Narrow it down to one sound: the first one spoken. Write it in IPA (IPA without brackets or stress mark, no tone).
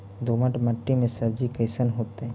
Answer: d̪